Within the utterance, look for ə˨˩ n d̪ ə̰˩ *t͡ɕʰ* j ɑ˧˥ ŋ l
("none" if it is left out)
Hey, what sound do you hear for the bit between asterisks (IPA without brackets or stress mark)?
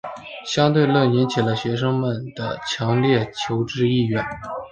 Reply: t͡ɕʰ